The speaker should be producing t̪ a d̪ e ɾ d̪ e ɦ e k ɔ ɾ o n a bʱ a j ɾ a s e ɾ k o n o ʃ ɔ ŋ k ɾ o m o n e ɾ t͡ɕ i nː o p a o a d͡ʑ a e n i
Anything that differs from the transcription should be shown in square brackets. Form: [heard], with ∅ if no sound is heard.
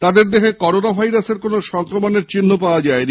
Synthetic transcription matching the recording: t̪ a d̪ e ɾ d̪ e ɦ e k ɔ ɾ o n a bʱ a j ɾ a s e ɾ k o n o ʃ ɔ ŋ k ɾ o m o n e ɾ t͡ɕ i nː o p a o a d͡ʑ a e n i